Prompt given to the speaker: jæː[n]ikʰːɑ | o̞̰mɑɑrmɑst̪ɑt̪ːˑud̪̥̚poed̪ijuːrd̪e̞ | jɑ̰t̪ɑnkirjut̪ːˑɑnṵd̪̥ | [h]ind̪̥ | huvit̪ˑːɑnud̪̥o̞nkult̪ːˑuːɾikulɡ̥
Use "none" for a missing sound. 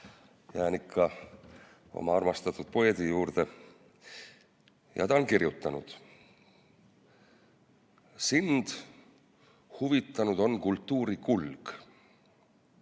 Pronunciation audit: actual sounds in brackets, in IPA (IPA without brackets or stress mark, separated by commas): n, s